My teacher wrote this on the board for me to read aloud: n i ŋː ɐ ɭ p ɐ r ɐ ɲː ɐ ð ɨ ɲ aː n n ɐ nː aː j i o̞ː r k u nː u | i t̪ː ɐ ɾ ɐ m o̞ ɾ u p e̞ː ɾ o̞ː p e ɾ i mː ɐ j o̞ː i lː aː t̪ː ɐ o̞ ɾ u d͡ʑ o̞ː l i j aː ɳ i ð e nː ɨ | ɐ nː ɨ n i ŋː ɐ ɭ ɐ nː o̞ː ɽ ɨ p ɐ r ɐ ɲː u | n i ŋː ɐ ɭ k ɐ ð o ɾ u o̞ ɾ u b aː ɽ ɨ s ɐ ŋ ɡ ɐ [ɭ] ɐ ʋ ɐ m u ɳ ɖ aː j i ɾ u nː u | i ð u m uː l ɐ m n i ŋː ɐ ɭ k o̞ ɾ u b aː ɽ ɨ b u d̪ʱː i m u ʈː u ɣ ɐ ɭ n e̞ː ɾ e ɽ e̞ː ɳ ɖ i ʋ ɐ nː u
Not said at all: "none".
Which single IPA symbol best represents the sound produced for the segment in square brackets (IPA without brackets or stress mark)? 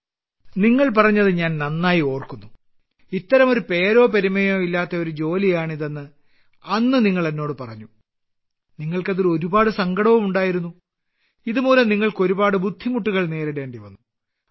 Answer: ɽ